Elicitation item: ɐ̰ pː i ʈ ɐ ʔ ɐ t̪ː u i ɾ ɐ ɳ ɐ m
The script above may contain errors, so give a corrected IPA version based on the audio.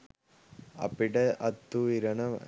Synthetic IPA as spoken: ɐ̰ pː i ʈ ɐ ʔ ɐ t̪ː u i ɾ ɐ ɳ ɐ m